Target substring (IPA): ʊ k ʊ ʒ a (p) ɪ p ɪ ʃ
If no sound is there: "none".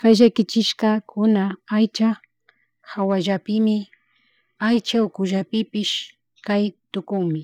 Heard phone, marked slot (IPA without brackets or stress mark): p